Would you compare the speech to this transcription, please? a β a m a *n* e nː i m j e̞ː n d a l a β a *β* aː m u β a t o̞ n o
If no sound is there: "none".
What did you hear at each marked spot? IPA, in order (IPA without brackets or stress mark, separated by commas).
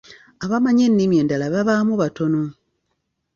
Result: ɲ, β